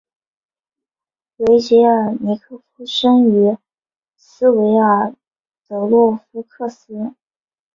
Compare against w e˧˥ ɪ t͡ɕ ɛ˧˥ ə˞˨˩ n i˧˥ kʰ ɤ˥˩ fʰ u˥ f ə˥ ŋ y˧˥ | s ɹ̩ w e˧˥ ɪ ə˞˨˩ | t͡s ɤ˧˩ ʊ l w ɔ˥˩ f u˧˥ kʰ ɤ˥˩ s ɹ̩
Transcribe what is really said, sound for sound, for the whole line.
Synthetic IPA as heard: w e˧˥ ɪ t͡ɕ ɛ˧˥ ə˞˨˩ n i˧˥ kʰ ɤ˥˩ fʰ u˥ ʂ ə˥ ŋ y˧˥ | s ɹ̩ w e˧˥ ɪ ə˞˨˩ | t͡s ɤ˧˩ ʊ l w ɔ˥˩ f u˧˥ kʰ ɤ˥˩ s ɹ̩

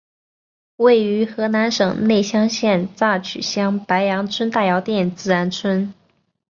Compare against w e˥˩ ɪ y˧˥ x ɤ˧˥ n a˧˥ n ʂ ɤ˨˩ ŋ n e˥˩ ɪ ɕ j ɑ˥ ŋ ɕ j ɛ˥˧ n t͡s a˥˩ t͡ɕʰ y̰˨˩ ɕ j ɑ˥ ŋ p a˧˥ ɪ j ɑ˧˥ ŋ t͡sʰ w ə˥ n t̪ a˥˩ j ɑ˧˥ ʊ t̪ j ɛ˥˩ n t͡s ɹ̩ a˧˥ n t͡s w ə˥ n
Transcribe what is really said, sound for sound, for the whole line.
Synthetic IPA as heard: w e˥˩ ɪ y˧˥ x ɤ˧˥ n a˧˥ n ʂ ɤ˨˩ ŋ n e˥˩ ɪ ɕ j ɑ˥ ŋ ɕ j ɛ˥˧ n t͡s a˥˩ t͡ɕʰ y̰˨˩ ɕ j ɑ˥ ŋ p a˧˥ ɪ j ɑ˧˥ ŋ t͡sʰ w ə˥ n t̪ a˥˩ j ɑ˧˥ ʊ t̪ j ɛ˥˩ n t͡s ɹ̩ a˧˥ n t͡sʰ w ə˥ n

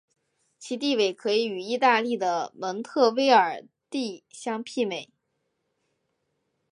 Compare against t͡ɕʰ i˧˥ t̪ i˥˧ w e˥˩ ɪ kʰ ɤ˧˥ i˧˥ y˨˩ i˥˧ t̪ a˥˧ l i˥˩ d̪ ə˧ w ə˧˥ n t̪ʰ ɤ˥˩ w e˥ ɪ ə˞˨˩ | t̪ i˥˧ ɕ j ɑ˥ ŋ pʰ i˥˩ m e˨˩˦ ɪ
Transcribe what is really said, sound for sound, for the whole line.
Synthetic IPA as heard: t͡ɕʰ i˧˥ t̪ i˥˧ w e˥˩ ɪ kʰ ɤ˧˥ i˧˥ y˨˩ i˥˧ t̪ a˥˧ l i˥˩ d̪ ə˩ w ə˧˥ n t̪ʰ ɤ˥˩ w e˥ ɪ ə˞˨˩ | t̪ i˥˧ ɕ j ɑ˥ ŋ pʰ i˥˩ m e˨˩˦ ɪ

